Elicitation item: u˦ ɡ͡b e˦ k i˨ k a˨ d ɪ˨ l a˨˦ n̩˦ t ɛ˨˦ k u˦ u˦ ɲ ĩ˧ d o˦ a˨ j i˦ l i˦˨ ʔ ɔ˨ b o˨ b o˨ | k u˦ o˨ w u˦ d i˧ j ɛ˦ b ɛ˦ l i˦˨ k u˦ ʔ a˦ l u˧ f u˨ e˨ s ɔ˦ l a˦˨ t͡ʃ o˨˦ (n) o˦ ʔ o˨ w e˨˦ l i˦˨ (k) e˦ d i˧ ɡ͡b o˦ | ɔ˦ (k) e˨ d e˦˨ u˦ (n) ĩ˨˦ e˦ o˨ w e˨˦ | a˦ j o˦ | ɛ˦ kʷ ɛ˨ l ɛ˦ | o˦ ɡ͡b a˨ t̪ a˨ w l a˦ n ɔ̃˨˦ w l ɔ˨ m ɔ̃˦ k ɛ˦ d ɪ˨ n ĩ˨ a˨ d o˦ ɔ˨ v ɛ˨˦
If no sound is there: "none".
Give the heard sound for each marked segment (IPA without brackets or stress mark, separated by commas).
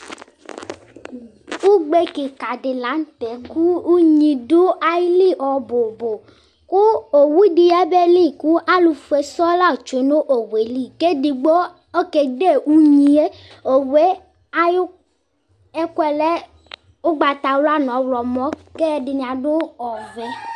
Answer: n, k, k, ɲ